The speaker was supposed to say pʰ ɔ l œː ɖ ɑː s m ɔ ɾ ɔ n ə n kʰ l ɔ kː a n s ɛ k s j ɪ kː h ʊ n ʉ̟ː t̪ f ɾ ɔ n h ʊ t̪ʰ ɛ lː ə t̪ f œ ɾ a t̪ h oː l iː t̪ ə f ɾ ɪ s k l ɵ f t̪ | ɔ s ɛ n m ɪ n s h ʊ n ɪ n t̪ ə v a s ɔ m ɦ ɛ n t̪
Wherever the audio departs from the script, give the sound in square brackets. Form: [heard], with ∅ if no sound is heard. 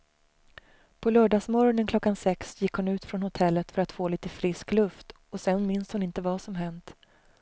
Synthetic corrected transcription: pʰ ɔ l œː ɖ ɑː s m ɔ ɾ ɔ n ə n kʰ l ɔ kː a n s ɛ k s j ɪ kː h ʊ n ʉ̟ː t̪ f ɾ ɔ n h ʊ t̪ʰ ɛ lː ə t̪ f œ ɾ a t̪ [f] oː l iː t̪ ə f ɾ ɪ s k l ɵ f t̪ | ɔ s ɛ n m ɪ n s h ʊ n ɪ n t̪ ə v a s ɔ m ɦ ɛ n t̪